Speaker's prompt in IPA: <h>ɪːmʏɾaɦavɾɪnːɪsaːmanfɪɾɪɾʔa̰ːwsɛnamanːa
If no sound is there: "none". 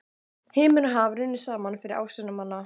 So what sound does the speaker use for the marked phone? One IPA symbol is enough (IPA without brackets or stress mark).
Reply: h